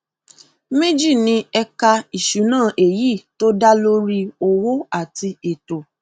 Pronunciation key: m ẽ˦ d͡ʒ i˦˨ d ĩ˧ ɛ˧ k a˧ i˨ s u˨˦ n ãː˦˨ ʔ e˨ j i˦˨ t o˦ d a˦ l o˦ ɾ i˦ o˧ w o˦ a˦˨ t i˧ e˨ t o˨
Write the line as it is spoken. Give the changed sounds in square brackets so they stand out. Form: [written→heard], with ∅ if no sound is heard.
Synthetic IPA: m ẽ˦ d͡ʒ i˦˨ [d→n] ĩ˧ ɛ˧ k a˧ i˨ [s→ʃ] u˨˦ n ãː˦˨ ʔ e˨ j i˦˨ t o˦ d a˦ l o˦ ɾ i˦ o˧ w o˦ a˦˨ t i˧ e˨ t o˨